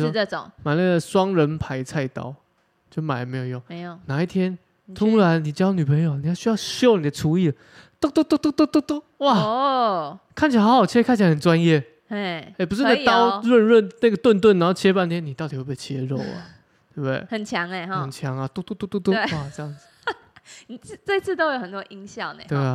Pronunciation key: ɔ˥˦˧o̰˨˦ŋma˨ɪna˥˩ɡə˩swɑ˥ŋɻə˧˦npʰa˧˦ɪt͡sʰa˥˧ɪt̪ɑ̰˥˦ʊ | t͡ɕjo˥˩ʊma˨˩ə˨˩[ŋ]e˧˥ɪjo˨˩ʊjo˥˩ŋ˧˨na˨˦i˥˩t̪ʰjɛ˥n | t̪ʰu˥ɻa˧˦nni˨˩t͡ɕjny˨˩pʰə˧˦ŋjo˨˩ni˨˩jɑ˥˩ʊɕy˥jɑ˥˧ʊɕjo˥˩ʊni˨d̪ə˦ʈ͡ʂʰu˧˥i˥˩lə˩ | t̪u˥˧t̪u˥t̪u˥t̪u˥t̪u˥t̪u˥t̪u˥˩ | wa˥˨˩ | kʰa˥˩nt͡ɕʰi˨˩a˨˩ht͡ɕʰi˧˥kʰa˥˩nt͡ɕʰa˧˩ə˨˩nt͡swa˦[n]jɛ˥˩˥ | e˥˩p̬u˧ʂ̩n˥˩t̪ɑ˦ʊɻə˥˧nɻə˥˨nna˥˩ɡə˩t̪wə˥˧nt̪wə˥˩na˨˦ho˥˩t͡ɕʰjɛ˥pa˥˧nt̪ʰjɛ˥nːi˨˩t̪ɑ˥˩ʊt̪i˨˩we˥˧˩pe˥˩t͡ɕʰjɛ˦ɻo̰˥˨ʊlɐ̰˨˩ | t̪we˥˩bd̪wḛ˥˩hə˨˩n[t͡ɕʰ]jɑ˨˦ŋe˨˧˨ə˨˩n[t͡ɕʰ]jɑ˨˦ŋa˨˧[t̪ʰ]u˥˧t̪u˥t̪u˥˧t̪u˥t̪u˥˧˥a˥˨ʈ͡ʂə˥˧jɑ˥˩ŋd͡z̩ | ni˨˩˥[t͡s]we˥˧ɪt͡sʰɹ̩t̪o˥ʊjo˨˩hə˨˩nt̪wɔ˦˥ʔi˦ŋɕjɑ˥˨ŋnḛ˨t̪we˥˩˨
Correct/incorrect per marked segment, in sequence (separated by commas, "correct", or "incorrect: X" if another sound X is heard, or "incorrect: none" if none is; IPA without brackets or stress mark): incorrect: m, correct, correct, correct, incorrect: t̪, correct